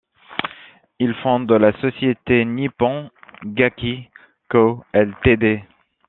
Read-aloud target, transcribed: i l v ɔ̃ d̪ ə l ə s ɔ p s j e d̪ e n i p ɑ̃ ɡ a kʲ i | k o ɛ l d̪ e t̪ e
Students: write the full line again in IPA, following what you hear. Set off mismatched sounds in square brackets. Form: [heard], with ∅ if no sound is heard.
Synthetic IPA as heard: i l [f] ɔ̃ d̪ ə l [a] s ɔ [∅] s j e [t̪] e n i p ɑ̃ ɡ a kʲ i | k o ɛ l [t̪] e [d̪] e